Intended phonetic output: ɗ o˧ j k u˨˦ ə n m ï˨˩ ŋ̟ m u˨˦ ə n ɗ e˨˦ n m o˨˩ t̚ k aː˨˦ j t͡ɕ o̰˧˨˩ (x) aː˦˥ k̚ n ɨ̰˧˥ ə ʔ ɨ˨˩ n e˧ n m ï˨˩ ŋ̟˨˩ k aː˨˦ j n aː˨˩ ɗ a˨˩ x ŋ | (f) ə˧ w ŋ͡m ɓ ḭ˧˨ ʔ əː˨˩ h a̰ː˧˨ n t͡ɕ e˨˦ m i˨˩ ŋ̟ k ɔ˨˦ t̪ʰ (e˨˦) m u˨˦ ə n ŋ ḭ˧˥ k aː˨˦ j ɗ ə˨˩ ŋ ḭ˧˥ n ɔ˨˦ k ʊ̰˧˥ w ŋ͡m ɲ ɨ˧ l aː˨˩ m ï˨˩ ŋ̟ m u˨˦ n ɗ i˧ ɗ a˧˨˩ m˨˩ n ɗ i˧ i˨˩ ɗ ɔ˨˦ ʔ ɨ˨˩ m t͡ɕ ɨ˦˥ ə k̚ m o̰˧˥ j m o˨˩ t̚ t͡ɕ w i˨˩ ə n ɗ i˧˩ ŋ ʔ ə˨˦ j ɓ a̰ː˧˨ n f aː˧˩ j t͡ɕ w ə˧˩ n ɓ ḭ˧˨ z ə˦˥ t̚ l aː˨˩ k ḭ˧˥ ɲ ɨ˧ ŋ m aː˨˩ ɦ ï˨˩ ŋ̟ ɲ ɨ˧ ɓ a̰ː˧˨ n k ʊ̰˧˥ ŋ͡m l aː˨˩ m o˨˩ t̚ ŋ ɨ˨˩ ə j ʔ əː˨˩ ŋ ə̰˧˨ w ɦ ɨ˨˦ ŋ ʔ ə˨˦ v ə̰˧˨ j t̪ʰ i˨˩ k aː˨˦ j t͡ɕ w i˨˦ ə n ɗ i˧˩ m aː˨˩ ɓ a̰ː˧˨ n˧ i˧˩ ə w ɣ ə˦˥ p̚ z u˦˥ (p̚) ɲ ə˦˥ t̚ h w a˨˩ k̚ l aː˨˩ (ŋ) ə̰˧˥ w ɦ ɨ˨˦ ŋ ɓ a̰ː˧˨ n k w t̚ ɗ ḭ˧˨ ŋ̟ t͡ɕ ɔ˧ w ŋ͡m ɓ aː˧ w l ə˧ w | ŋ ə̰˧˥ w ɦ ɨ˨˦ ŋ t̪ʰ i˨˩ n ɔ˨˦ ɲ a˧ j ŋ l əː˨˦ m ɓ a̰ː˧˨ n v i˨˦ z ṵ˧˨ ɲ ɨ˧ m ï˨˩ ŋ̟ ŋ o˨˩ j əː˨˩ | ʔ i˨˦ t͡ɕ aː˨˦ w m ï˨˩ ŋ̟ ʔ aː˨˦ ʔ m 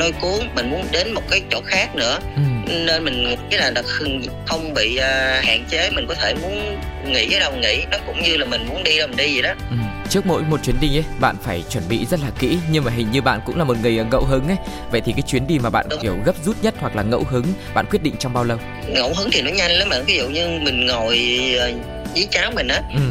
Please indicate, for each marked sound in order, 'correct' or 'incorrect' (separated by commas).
correct, incorrect, incorrect, incorrect, correct